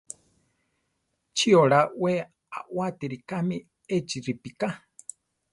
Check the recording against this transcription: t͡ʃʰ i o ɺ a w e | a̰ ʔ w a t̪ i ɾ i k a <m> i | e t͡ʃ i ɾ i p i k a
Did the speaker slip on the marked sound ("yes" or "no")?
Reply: no